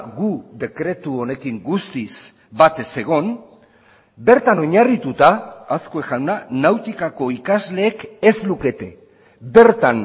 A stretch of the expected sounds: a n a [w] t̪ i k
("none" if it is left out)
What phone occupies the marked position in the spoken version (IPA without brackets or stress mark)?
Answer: w